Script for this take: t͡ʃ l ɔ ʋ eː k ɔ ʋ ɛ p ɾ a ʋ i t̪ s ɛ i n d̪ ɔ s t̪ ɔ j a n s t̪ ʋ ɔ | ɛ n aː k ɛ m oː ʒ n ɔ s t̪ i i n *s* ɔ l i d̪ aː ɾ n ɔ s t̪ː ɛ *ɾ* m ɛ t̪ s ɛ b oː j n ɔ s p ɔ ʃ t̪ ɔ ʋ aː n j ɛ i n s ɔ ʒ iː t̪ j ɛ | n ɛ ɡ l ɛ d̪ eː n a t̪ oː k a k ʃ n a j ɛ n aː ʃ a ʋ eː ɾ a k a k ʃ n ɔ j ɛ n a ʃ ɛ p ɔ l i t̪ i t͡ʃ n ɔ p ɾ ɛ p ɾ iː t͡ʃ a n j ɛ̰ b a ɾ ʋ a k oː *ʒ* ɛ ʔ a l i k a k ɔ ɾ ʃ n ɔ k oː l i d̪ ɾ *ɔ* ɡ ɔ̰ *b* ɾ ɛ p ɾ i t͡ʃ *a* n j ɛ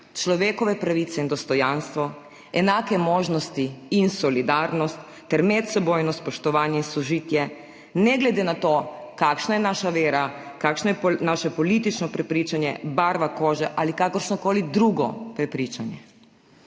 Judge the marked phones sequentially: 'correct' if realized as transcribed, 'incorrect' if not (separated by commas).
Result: correct, correct, correct, incorrect, incorrect, correct